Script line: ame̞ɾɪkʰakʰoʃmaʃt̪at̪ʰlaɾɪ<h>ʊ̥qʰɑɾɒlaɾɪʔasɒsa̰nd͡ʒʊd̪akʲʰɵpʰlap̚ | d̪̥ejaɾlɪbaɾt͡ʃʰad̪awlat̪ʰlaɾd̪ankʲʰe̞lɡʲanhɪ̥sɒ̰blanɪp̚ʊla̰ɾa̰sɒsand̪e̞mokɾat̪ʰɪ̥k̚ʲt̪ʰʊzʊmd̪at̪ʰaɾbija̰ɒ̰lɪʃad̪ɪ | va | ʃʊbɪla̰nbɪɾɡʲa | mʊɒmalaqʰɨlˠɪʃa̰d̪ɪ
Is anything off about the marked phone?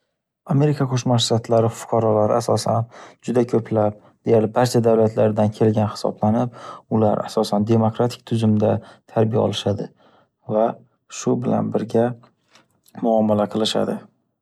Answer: yes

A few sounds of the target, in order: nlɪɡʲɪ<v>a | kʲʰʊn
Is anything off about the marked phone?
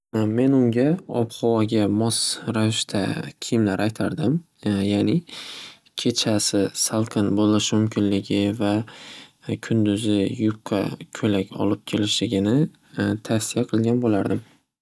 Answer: no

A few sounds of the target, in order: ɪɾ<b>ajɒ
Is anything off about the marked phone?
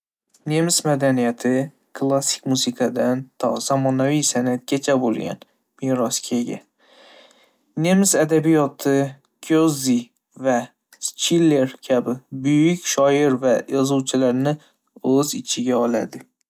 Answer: yes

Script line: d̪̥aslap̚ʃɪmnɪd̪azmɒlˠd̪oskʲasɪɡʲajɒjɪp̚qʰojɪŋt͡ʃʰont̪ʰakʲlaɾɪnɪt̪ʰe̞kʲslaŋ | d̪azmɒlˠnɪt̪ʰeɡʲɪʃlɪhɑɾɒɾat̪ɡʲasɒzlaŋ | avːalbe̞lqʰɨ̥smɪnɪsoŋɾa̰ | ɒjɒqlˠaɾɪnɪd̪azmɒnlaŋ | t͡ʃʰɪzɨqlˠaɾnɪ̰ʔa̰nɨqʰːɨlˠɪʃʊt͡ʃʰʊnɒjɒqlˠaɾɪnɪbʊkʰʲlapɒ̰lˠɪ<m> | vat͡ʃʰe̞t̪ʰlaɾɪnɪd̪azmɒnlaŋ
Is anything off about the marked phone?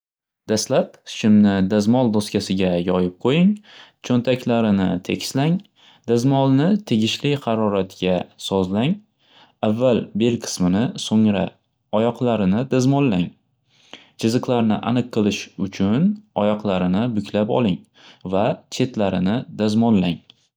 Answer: yes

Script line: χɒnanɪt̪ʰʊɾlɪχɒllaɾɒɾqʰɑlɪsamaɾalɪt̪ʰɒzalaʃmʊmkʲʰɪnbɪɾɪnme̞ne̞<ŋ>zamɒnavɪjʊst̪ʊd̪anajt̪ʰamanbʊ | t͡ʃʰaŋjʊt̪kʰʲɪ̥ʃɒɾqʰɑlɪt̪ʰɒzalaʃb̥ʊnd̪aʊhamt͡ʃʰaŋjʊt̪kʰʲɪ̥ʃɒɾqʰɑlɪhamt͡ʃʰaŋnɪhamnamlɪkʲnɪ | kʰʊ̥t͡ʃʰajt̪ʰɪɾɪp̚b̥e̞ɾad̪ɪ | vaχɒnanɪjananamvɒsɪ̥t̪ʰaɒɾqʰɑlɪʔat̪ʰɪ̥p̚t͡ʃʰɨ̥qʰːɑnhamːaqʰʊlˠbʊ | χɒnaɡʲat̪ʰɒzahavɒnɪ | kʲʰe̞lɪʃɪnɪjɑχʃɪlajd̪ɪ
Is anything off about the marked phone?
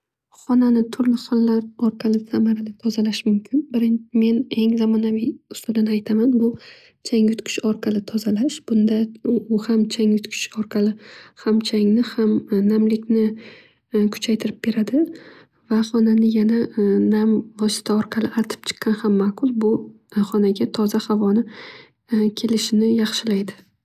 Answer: no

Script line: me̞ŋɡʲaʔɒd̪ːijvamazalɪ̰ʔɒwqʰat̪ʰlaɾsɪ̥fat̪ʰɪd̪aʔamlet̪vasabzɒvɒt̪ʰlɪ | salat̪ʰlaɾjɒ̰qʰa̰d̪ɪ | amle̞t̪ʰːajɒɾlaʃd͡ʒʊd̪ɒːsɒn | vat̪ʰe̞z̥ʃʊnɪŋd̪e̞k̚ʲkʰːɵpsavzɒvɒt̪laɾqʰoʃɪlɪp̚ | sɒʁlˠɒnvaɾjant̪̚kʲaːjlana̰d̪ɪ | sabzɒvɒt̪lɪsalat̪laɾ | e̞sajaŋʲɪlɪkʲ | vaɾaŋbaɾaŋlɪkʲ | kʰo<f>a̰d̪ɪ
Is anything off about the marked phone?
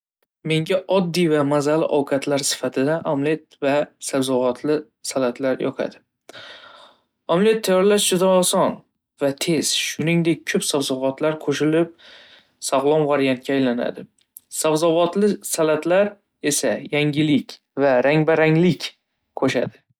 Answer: yes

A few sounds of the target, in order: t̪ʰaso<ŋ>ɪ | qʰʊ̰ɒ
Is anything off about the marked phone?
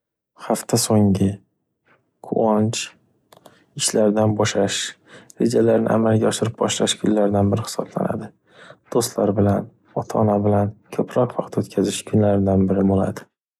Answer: no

